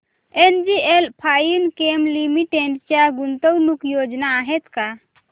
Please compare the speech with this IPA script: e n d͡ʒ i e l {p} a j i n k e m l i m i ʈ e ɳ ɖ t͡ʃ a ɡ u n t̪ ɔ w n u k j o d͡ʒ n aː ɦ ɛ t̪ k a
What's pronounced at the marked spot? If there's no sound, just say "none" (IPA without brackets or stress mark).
pʰ